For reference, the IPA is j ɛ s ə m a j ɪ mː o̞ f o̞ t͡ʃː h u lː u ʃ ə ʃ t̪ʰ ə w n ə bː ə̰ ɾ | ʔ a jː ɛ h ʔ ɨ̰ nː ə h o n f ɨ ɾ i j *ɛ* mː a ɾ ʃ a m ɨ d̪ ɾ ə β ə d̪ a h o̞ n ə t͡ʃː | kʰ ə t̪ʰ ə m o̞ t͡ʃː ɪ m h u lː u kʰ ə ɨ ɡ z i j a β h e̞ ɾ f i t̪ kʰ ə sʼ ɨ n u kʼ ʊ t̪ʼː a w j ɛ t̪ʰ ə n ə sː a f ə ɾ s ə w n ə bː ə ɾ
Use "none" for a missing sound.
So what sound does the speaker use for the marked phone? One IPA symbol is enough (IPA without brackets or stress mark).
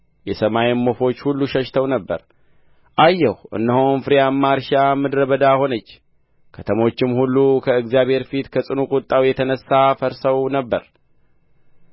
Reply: a